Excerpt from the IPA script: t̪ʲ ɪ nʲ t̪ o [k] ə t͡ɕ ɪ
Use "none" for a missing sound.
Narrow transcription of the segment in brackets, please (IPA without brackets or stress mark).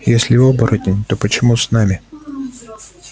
p